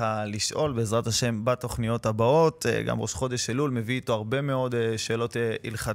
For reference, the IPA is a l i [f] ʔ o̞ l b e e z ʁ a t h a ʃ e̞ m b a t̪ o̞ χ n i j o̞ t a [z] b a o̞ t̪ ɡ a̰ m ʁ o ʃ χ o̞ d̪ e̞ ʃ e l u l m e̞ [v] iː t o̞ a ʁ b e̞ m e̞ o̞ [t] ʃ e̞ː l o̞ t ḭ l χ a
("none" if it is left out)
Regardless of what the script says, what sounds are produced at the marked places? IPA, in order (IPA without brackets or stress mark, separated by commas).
ʃ, none, v, d